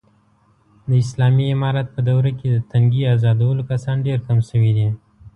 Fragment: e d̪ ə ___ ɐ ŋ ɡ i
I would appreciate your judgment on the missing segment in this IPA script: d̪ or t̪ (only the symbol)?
t̪